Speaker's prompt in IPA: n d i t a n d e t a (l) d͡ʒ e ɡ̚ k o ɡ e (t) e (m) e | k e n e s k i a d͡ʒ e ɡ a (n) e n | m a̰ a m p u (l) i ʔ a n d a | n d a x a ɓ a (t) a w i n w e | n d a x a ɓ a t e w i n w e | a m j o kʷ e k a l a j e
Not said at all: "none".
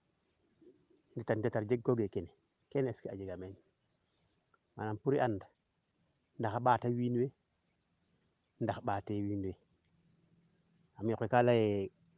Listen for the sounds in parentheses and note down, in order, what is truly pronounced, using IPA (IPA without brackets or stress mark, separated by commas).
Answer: ɾ, k, n, m, ɾ, t